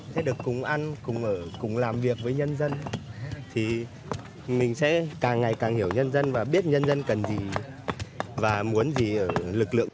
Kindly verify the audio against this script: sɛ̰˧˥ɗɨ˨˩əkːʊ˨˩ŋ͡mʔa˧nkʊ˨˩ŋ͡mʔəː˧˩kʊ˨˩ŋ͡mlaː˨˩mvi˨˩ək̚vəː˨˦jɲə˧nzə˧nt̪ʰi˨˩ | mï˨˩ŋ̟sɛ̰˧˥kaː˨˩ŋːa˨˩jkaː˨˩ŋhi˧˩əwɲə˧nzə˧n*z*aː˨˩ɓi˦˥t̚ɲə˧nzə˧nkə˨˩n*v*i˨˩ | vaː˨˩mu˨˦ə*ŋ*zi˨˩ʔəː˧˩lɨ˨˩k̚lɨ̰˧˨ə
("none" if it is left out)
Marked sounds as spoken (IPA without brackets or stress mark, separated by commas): v, z, n